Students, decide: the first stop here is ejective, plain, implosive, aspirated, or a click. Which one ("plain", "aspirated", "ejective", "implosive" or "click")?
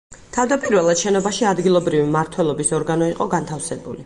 aspirated